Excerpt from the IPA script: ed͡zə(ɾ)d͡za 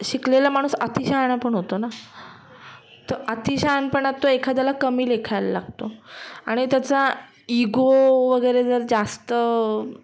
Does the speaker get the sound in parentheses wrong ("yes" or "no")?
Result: no